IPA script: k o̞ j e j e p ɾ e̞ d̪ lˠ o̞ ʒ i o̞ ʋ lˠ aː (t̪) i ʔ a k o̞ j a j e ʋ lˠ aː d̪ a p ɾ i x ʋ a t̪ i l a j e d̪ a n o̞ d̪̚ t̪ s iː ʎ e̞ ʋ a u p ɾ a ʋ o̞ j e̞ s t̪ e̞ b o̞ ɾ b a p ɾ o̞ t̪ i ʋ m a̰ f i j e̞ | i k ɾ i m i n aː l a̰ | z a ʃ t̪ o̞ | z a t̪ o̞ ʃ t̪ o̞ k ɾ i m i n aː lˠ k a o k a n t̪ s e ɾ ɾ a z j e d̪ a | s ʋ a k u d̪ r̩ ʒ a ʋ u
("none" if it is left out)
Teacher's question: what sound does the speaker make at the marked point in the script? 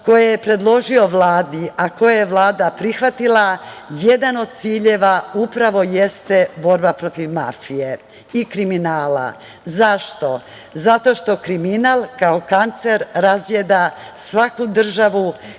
d̪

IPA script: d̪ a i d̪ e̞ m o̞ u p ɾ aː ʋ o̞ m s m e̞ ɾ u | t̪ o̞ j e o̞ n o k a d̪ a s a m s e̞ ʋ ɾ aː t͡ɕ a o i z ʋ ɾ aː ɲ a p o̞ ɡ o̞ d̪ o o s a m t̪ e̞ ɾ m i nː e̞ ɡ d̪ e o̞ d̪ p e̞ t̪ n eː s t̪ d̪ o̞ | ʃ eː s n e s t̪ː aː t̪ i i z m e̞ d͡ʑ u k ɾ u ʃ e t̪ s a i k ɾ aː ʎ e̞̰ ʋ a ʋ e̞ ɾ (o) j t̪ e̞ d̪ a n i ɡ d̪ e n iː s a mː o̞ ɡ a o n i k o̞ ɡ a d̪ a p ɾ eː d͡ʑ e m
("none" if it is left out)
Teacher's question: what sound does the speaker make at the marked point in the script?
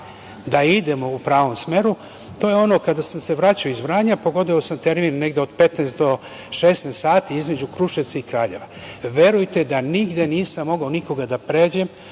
u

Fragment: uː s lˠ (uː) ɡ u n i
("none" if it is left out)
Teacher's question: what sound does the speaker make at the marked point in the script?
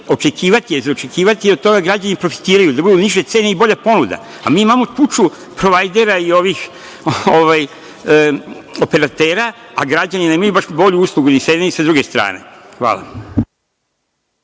u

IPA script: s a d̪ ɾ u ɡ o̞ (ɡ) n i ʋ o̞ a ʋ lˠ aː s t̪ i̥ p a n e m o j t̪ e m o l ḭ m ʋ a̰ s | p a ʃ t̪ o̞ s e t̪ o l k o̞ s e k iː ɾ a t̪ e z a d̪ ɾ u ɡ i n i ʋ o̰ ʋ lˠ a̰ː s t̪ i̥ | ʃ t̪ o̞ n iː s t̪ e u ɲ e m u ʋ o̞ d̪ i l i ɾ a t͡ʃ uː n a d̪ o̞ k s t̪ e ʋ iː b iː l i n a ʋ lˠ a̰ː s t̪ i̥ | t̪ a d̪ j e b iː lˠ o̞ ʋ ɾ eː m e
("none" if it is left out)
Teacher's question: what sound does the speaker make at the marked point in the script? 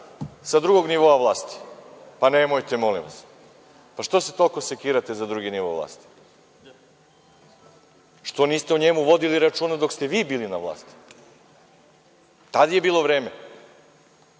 ɡ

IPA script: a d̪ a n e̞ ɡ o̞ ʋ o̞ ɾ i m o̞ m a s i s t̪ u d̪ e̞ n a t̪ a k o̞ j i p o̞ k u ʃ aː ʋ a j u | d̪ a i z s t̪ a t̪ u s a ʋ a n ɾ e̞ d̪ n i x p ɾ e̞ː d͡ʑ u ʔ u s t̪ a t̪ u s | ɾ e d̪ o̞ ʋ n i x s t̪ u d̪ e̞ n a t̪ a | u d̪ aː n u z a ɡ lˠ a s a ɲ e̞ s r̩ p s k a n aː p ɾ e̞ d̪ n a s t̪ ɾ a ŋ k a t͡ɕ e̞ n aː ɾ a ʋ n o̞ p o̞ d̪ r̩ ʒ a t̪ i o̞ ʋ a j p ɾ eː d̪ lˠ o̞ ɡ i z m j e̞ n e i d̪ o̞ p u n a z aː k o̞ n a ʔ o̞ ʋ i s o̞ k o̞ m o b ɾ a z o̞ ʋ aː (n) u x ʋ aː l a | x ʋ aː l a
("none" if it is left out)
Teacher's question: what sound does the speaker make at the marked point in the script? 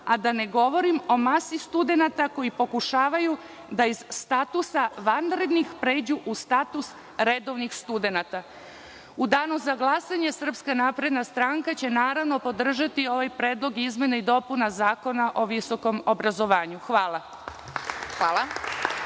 ɲ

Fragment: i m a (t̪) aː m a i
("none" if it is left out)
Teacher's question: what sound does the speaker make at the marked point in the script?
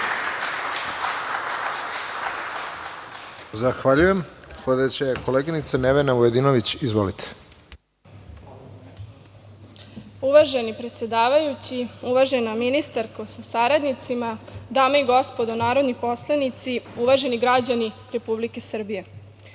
d̪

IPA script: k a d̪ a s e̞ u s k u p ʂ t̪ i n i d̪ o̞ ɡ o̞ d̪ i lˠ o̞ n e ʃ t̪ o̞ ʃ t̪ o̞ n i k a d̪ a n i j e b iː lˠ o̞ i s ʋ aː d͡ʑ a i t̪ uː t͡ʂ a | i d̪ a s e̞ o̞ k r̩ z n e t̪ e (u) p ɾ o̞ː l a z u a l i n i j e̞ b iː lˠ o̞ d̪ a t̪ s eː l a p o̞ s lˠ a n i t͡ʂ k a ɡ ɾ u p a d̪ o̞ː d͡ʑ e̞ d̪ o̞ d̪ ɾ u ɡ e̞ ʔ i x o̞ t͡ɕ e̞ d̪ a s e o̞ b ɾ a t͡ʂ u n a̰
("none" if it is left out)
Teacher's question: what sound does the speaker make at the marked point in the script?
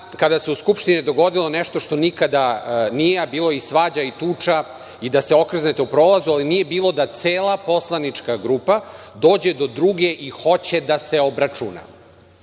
u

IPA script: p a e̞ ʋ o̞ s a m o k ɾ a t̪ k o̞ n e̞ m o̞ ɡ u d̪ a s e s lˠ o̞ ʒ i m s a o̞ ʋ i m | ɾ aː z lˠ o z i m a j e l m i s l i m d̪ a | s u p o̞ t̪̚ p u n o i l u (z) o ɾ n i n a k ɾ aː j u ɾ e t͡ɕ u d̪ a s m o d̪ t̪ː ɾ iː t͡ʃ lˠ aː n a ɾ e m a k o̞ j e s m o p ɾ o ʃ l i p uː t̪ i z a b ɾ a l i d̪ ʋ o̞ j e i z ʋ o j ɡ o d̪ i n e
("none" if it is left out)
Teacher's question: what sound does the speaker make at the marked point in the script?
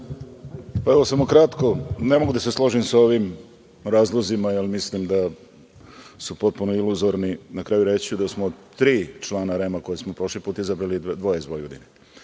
z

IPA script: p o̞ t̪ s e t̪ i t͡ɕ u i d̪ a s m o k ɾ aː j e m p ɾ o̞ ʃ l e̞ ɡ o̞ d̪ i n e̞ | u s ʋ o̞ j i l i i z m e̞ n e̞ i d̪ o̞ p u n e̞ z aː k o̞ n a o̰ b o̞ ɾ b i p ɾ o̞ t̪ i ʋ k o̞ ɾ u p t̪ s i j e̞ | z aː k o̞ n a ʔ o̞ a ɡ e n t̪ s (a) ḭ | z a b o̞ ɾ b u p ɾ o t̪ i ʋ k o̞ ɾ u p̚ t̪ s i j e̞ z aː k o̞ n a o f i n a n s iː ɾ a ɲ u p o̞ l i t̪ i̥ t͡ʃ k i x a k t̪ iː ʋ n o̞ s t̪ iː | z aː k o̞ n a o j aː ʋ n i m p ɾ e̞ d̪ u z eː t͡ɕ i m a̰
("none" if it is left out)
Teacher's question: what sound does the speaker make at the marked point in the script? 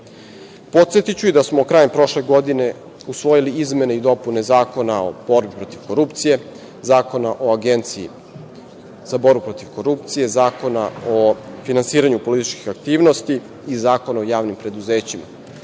i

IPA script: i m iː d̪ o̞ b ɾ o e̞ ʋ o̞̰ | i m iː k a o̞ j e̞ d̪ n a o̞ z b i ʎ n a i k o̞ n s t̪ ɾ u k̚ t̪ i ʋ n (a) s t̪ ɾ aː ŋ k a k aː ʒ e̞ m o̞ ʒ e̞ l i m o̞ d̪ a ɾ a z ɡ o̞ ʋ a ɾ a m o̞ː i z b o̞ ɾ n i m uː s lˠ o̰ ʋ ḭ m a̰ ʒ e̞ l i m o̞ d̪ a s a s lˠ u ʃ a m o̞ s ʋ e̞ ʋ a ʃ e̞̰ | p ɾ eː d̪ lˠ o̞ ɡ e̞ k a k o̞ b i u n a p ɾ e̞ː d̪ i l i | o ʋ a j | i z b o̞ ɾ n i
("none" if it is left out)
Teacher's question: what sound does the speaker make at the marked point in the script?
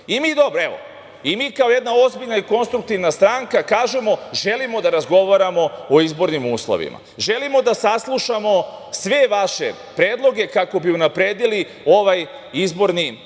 a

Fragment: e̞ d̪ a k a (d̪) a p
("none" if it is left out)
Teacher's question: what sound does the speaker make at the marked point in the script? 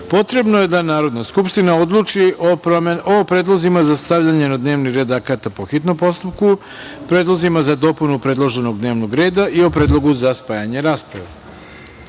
t̪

